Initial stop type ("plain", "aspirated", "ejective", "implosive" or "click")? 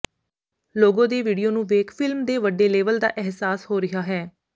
plain